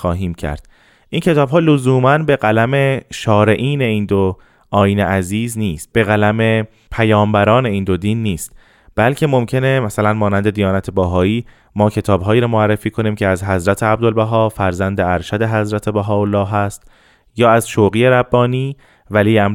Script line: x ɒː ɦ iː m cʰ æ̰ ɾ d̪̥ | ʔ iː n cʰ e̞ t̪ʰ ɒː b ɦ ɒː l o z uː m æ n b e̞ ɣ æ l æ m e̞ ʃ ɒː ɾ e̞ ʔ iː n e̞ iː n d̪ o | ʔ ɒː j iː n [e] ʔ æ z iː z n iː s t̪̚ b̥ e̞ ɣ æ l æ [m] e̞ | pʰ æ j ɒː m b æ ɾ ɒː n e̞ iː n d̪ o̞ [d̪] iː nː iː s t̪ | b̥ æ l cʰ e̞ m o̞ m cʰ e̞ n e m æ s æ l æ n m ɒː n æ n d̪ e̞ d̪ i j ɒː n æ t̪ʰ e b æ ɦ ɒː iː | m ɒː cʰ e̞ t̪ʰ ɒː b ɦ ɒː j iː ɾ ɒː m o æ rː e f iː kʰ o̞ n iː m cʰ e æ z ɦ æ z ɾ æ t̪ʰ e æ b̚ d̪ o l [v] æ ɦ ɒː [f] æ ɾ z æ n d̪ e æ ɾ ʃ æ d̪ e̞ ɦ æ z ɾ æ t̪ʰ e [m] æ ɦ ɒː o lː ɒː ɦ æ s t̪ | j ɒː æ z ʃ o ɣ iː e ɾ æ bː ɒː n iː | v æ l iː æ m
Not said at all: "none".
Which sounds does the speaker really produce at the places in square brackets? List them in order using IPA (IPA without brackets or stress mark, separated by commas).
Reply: e, m, d̪, b, f, b